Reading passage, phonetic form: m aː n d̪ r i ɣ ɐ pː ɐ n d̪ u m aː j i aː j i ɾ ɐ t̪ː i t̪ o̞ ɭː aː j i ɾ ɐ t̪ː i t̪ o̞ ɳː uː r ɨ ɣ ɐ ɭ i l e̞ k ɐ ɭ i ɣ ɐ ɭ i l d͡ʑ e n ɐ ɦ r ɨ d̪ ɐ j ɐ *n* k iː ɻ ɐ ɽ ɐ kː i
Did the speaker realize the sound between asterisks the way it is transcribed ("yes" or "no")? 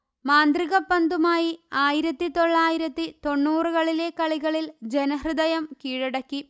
no